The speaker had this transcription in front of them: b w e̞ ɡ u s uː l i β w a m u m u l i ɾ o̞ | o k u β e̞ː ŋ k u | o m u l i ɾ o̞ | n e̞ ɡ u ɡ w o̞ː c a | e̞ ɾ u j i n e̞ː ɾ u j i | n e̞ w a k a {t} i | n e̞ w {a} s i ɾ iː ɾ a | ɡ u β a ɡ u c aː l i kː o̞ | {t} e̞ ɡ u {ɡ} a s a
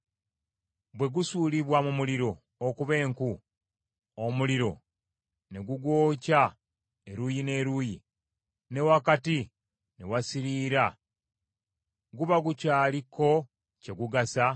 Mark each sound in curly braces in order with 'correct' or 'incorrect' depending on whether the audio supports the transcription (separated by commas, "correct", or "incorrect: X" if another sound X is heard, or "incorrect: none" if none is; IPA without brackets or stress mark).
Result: correct, correct, incorrect: c, correct